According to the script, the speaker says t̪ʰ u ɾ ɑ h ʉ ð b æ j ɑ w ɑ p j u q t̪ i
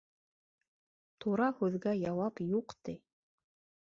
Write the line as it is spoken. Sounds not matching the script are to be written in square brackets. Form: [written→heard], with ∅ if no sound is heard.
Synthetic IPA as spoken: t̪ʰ u ɾ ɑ h ʉ ð [b→ɡ] æ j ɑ w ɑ p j u q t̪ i